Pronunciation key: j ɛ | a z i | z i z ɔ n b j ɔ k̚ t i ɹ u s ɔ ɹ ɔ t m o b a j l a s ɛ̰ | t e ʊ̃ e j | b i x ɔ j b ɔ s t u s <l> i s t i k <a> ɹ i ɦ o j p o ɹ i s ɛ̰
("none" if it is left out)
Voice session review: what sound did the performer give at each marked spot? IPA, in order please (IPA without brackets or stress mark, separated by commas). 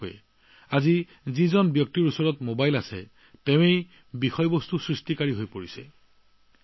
ɹ, a